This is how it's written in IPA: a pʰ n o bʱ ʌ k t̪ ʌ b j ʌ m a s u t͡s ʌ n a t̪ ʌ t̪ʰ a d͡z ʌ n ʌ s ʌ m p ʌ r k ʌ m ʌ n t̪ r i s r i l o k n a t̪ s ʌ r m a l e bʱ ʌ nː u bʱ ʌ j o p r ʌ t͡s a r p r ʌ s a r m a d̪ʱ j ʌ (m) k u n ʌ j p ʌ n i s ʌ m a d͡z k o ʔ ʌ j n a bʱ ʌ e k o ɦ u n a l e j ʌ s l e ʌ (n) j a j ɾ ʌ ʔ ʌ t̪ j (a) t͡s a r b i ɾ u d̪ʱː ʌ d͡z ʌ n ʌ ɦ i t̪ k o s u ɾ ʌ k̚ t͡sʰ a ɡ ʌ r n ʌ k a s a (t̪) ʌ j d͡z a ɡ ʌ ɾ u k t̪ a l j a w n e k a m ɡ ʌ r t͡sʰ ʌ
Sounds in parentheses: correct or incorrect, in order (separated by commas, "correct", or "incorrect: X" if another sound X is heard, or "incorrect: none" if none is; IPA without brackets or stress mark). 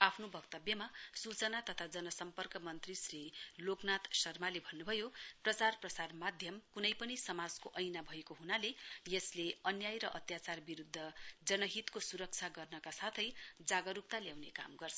correct, correct, correct, incorrect: t̪ʰ